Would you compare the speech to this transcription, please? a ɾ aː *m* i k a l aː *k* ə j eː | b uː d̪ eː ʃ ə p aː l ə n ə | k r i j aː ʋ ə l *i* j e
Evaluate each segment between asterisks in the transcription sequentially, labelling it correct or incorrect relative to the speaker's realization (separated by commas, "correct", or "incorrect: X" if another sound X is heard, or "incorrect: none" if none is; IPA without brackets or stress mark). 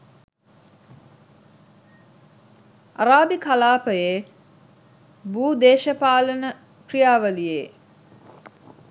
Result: incorrect: b, incorrect: p, correct